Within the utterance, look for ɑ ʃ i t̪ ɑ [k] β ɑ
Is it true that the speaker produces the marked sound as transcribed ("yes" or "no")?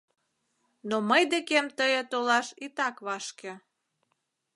yes